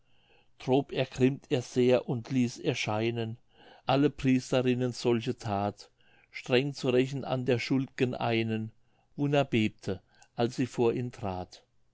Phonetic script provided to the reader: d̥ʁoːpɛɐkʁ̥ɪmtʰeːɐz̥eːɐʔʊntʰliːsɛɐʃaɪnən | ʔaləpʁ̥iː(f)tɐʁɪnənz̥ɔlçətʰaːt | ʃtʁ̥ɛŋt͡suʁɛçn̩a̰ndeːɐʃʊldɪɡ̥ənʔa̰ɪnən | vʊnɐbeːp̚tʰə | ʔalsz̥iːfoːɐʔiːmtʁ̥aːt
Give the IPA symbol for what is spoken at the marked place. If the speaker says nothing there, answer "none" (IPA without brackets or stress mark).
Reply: s